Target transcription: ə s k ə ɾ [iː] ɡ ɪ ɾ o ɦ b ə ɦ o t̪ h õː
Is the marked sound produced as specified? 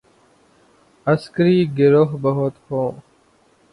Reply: yes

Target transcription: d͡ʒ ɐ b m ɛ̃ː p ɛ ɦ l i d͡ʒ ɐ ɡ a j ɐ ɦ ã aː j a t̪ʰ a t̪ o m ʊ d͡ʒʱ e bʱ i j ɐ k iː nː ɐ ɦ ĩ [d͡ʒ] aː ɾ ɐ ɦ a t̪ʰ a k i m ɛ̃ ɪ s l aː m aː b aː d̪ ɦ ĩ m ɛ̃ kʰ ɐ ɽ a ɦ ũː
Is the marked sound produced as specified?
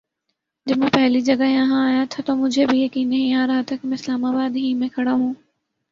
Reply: no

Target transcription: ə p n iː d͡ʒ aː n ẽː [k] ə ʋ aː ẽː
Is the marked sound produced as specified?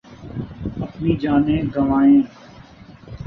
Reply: no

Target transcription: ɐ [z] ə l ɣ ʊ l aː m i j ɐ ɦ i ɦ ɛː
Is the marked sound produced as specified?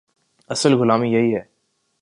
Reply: no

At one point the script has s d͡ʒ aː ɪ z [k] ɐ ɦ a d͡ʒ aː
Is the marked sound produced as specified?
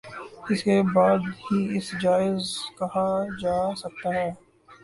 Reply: yes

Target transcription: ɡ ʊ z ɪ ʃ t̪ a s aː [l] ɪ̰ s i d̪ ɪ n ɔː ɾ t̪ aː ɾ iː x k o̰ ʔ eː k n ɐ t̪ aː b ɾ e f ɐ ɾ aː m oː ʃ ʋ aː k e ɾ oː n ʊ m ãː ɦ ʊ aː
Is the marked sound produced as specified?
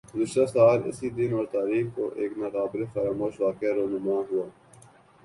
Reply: yes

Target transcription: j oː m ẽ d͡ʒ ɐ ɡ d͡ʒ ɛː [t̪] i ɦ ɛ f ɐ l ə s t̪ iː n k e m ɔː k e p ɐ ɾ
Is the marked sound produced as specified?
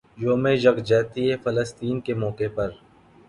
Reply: yes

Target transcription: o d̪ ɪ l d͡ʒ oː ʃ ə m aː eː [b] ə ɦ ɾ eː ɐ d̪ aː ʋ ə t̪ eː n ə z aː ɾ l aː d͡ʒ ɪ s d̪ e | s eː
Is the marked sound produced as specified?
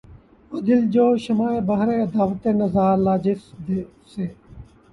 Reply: yes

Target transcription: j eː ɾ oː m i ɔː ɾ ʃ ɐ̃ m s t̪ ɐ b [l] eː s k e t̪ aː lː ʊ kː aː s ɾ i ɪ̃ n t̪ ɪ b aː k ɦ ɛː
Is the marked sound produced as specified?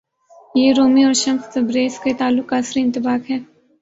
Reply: no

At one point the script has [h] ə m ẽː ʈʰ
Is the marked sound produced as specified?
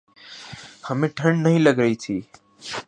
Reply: yes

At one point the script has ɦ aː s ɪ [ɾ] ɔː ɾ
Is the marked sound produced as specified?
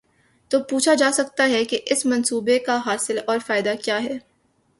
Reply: no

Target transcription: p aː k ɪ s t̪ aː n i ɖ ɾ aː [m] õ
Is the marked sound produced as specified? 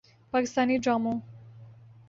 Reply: yes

